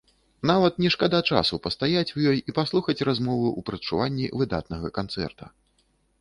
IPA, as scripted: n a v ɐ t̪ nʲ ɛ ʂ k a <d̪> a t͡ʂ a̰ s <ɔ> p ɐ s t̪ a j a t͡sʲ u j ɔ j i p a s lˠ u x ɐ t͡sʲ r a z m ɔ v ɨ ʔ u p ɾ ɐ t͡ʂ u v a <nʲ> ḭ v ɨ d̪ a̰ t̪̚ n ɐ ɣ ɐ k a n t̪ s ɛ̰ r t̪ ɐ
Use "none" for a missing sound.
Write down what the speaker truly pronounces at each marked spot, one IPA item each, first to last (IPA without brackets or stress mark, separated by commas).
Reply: d̪, u, nʲː